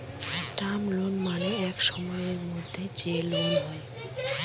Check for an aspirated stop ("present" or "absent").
absent